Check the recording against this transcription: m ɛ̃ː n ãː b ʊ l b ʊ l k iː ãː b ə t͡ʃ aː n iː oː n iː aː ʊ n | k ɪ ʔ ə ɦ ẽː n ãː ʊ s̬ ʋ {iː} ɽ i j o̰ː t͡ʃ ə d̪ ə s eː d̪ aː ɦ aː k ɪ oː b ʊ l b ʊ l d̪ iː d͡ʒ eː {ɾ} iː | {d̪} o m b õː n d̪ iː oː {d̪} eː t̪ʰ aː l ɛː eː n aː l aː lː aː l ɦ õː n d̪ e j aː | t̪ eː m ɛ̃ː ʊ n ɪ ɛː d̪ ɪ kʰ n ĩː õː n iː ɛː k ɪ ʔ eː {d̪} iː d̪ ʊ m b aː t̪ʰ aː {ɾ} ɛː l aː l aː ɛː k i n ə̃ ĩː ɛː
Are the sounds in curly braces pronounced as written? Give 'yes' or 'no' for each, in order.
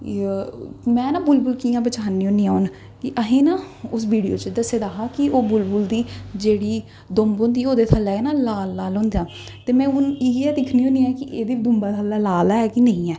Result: yes, no, yes, yes, yes, no

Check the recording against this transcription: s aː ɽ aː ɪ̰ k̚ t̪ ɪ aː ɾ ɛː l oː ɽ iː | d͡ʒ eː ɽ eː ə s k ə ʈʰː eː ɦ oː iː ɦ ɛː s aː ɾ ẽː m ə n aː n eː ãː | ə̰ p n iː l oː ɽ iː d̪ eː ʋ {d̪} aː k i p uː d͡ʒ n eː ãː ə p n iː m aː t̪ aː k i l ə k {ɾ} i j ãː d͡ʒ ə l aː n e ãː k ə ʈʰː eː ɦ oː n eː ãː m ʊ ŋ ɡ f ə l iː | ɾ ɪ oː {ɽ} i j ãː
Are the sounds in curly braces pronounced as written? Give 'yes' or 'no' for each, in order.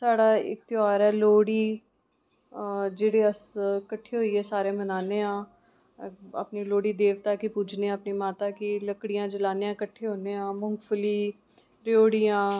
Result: no, no, yes

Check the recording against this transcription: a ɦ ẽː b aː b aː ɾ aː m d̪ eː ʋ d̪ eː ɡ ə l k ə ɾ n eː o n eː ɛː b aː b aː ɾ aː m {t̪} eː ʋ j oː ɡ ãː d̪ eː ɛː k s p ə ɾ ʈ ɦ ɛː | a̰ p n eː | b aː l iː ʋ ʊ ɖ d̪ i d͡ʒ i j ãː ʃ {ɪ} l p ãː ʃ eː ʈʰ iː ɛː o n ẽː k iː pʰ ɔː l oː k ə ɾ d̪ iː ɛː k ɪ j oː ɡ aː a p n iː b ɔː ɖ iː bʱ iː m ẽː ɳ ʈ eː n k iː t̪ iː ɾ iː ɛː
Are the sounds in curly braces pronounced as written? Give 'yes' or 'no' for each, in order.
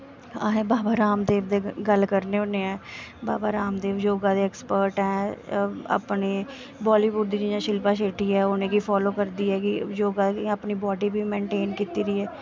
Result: no, yes

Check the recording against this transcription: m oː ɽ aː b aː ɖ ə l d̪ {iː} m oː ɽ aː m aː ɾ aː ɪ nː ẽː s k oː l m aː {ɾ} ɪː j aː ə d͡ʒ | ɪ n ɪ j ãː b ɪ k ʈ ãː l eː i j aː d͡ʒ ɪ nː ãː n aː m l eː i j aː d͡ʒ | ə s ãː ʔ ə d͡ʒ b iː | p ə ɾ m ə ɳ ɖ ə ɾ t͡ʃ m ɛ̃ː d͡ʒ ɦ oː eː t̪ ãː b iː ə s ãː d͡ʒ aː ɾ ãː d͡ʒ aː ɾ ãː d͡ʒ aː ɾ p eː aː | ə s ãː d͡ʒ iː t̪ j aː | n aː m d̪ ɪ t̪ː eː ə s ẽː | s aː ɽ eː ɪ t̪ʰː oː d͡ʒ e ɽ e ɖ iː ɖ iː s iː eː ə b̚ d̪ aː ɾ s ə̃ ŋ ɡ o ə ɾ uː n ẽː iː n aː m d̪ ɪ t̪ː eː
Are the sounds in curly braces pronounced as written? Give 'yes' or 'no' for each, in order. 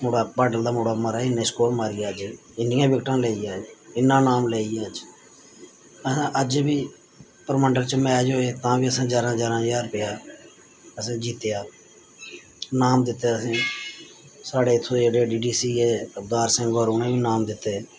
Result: no, yes

